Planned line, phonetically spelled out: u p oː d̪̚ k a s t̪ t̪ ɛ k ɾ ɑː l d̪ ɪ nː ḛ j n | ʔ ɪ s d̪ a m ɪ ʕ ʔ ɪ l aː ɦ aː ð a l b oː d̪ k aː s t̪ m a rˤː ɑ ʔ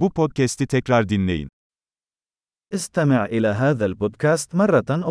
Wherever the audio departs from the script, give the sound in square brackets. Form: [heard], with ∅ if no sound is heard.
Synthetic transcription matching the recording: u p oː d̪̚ k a s t̪ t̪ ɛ k ɾ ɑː [ɾ] d̪ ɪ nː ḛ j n | ʔ ɪ s [t̪] a m ɪ ʕ ʔ ɪ l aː ɦ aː ð a l b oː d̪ k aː s t̪ m [ɑ] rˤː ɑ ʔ